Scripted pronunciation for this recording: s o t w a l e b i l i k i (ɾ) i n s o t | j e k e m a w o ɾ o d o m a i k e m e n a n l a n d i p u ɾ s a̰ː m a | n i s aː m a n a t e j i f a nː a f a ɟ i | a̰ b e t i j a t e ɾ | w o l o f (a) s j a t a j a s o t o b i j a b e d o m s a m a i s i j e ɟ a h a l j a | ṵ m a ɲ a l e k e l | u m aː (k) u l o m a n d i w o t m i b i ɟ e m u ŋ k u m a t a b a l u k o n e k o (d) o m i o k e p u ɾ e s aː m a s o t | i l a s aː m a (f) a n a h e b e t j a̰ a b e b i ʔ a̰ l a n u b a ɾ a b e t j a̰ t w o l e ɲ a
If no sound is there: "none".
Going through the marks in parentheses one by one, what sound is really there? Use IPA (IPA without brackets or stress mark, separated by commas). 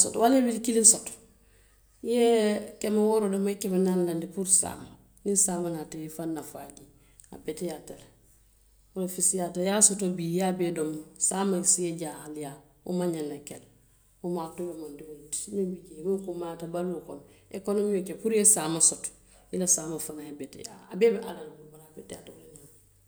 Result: l, i, t, n, f